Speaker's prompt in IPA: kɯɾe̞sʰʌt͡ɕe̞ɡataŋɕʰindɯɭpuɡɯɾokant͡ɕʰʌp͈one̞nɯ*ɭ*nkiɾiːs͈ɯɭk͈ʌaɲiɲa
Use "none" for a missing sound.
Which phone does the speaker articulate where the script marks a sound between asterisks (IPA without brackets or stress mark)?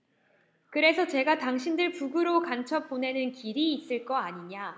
none